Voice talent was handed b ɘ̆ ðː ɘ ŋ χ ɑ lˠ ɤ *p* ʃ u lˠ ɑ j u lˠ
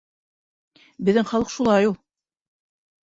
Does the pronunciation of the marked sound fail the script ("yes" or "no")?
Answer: yes